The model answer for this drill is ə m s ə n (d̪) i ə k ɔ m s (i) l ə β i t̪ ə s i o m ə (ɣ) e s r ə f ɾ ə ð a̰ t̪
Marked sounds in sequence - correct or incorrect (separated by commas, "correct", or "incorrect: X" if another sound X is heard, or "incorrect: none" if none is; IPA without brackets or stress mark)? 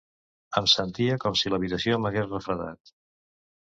incorrect: t̪, correct, correct